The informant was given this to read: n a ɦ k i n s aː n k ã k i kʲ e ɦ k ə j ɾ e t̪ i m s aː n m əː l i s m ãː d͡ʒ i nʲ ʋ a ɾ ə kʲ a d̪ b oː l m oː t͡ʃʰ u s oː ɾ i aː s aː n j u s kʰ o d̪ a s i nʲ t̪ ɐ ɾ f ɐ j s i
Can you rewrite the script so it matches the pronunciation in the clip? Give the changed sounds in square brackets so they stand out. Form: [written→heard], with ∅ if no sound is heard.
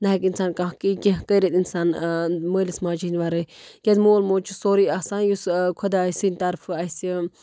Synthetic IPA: n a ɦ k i n s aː n k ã k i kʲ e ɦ k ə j ɾ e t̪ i [m→n] s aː n m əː l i s m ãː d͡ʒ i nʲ ʋ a ɾ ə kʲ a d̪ [b→m] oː l m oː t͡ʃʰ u s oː ɾ i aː s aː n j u s kʰ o d̪ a s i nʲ t̪ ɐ ɾ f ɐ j s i